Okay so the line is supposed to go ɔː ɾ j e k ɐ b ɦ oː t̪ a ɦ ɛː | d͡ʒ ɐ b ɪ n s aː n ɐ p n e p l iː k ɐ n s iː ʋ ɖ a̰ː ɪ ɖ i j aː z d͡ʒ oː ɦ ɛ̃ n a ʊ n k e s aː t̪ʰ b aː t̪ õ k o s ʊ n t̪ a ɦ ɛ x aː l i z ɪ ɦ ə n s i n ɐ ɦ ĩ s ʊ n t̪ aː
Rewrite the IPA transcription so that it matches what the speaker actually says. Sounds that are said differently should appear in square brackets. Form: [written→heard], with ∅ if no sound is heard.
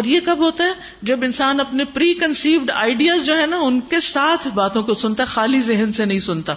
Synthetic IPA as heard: ɔː ɾ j e k ɐ b ɦ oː t̪ a ɦ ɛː | d͡ʒ ɐ b ɪ n s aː n ɐ p n e p [l→ɾ] iː k ɐ n s iː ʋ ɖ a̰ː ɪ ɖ i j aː z d͡ʒ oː ɦ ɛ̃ n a ʊ n k e s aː t̪ʰ b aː t̪ õ k o s ʊ n t̪ a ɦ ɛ x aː l i z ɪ ɦ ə n s [i→e] n ɐ ɦ ĩ s ʊ n t̪ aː